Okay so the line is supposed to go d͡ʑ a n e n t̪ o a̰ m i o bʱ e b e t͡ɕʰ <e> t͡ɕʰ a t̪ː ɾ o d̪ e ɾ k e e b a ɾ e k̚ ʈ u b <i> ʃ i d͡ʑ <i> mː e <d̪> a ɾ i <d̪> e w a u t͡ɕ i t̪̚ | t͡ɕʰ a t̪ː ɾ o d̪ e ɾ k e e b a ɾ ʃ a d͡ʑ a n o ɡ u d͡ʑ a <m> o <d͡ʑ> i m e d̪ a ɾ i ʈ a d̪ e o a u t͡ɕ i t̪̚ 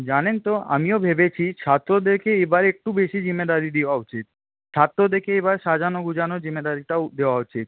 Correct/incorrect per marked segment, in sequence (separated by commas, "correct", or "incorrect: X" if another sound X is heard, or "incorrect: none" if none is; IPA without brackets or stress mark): incorrect: i, incorrect: e, correct, correct, correct, incorrect: n, correct